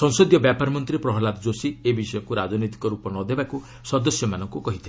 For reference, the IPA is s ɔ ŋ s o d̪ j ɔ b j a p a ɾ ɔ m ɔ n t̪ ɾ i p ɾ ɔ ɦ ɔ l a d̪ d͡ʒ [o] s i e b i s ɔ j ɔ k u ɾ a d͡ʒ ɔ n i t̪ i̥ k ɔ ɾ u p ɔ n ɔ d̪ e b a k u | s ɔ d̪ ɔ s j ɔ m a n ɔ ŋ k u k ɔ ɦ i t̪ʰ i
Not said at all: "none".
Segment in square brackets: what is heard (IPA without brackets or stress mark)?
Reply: o